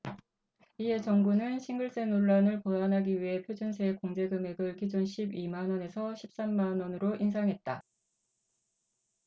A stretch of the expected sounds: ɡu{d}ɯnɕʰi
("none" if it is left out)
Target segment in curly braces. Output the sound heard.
n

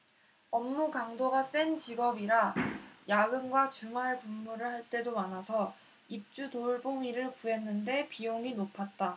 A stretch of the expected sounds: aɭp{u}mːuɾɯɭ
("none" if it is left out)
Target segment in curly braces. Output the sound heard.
u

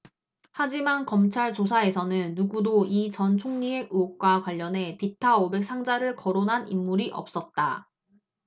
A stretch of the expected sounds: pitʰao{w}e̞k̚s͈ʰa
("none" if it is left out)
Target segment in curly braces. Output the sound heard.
b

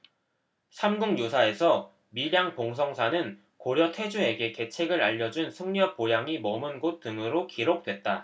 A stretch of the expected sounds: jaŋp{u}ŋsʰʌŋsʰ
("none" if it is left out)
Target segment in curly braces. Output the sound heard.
o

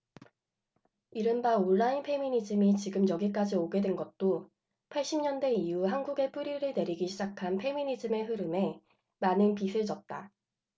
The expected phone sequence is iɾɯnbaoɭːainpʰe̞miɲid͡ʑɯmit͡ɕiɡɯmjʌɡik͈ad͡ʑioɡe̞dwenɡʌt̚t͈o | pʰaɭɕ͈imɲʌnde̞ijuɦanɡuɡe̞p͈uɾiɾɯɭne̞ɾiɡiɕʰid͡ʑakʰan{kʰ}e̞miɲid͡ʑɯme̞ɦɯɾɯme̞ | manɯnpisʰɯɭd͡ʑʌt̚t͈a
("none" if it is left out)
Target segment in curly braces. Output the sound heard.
pʰ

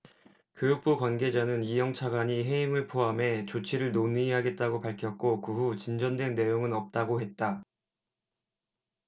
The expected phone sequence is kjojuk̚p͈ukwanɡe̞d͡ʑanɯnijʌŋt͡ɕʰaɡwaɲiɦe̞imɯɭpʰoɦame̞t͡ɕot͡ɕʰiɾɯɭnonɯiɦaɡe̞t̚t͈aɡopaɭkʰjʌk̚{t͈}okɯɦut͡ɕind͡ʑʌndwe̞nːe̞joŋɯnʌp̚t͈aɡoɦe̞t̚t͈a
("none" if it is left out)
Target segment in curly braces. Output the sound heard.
k͈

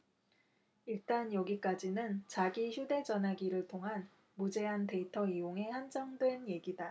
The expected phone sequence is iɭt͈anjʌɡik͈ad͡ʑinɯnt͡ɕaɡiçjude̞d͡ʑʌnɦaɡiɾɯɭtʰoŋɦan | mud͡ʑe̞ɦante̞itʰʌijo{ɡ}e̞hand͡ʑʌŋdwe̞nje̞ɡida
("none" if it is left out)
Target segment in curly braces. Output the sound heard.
ŋ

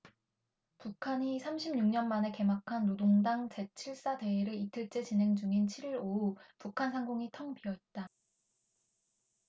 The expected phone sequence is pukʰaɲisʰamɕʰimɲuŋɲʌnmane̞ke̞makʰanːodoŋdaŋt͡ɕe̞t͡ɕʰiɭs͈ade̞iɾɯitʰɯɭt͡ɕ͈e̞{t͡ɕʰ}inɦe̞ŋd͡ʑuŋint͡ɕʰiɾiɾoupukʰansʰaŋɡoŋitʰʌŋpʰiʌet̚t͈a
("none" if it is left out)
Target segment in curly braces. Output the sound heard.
t͡ɕ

